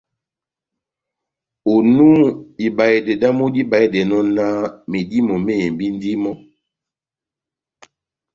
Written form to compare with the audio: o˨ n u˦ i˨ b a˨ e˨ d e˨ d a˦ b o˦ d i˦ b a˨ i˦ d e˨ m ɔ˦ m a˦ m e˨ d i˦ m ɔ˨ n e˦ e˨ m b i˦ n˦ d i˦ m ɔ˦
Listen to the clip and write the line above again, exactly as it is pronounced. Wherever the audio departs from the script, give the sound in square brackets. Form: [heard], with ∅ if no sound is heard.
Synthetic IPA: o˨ n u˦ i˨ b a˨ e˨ d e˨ d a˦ [m] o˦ d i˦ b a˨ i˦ d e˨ [n] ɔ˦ [n] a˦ m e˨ d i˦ m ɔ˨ [m] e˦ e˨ m b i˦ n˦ d i˦ m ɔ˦